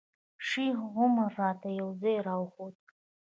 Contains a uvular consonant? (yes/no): yes